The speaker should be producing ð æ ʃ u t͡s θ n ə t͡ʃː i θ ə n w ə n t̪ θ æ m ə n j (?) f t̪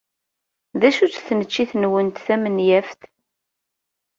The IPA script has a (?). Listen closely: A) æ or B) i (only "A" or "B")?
A